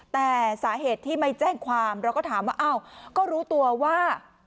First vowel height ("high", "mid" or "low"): mid